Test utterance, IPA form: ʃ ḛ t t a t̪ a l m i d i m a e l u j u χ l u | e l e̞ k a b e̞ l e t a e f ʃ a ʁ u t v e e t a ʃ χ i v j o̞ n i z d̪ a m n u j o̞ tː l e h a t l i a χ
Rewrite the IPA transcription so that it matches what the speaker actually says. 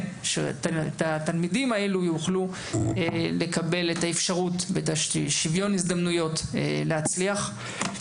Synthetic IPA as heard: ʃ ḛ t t a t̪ a l m i d i m a e l u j u χ l u | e l e̞ k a b e̞ l e t a e f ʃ a ʁ u t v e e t a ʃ ʃ i v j o̞ n i z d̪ a m n u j o̞ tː l e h a t͡s l i a χ